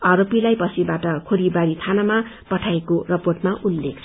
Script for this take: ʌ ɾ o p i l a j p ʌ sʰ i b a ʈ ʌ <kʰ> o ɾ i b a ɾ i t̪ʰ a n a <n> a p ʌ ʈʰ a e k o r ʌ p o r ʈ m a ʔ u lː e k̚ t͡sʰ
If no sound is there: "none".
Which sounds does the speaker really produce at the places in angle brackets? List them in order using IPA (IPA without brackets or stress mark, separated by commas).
kʰ, m